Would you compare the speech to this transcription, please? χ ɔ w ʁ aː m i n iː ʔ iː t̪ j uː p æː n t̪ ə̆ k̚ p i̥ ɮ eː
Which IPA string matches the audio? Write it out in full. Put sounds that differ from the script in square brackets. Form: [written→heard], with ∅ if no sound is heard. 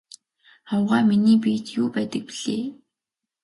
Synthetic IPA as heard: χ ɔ w ʁ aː m i n iː [ʔ→p] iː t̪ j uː p æː [n→∅] t̪ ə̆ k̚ p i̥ ɮ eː